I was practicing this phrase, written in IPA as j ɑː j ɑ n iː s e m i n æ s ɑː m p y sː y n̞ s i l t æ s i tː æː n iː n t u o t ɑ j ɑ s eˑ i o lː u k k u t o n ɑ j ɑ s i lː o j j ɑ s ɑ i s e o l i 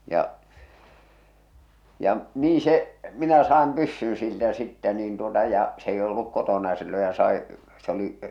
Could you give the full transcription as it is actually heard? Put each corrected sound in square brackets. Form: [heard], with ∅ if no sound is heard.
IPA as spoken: j [ɑ] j ɑ n iː s e m i n æ s ɑː m p y sː y n̞ s i l t æ s i tː [æ] n iː n t u o t ɑ j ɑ s eˑ i o lː u k k [o] t o n ɑ j ɑ s i lː o j j ɑ s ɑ i s e o l i